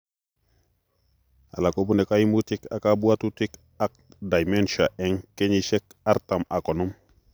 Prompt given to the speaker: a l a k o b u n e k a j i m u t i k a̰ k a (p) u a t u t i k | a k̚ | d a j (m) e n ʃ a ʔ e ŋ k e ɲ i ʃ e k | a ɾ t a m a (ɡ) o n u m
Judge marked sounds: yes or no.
no, yes, no

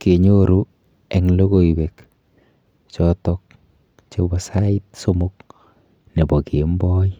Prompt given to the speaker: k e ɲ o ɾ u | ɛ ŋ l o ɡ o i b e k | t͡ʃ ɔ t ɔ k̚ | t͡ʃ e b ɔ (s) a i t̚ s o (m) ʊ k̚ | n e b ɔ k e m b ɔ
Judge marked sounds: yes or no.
yes, yes

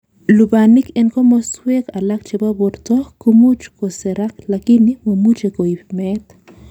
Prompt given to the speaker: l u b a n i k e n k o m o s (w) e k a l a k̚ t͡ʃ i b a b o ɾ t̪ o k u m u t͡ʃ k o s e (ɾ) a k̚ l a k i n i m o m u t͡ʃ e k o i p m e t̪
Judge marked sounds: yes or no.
yes, yes

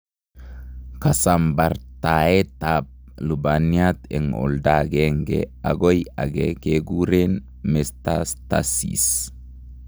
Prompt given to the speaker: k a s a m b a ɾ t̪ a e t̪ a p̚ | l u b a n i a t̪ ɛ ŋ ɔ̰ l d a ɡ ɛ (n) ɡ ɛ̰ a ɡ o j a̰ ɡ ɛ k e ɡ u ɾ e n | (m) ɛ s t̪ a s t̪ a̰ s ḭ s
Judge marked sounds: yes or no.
no, yes

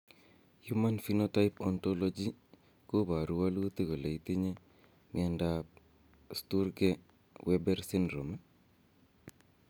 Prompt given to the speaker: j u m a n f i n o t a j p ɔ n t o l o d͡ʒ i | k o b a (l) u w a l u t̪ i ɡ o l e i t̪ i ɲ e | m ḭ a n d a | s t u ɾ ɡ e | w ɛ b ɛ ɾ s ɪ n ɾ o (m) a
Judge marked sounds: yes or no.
no, yes

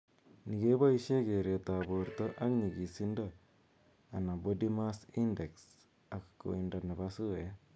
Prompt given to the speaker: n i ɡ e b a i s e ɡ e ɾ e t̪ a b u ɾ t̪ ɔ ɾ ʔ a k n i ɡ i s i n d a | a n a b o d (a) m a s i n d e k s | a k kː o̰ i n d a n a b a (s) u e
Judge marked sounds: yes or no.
no, yes

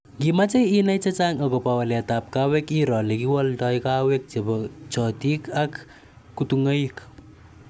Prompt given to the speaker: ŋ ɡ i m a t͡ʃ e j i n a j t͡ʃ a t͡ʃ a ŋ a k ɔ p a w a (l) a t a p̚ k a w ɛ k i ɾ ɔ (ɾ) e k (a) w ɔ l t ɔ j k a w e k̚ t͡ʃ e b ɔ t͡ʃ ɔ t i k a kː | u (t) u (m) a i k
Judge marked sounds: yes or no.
yes, no, no, yes, no

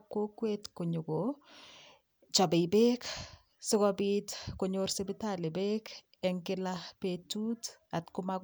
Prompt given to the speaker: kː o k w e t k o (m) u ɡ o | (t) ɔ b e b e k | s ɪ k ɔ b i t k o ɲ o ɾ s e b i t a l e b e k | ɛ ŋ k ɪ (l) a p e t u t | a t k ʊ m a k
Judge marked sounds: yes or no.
no, no, yes

